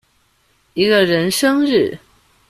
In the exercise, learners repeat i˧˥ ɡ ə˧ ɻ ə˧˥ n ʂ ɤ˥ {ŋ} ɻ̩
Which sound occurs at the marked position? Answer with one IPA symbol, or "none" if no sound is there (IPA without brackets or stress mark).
ŋ